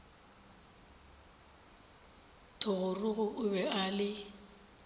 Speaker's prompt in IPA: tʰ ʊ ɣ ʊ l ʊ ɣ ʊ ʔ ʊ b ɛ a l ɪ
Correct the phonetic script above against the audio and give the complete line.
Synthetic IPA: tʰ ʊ ɣ ʊ r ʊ ɣ ʊ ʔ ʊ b ɛ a l ɪ